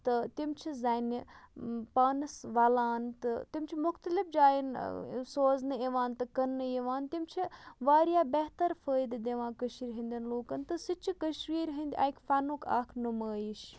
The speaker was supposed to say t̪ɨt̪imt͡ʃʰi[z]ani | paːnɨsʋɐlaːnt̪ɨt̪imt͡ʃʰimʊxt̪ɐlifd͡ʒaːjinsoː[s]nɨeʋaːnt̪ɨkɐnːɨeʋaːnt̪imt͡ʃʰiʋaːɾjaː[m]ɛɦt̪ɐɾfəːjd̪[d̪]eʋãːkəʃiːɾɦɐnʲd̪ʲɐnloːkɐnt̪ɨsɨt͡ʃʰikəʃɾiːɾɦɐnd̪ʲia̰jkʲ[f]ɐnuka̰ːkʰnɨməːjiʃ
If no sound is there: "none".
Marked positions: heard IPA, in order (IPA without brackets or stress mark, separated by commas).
z, z, b, d̪, f